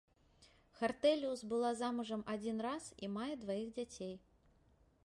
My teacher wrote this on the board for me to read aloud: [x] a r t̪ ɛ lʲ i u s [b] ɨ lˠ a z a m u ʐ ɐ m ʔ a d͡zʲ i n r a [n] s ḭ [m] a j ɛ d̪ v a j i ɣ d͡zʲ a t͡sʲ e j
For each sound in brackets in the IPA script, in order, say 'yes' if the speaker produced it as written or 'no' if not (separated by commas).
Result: yes, yes, no, yes